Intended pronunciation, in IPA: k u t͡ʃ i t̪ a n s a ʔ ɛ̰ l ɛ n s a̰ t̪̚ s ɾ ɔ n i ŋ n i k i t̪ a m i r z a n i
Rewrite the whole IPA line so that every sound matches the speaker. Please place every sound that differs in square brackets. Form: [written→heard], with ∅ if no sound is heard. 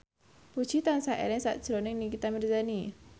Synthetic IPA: [k→p] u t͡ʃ i t̪ a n s a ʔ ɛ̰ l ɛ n s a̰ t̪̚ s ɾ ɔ n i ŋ n i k i t̪ a m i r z a n i